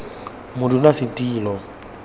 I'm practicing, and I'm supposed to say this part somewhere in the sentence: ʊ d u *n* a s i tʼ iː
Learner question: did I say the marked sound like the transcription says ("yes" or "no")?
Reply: yes